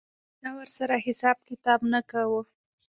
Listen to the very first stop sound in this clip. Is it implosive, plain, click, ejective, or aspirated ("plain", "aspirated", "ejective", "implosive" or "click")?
plain